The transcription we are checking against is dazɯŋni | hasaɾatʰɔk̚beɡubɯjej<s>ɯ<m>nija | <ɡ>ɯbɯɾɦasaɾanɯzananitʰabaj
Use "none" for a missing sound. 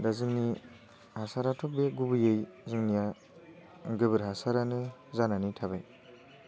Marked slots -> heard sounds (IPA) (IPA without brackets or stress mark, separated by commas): z, ŋ, ɡ